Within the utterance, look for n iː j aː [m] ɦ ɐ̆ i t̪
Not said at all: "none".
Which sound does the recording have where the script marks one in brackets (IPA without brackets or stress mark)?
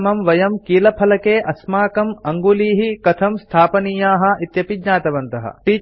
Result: none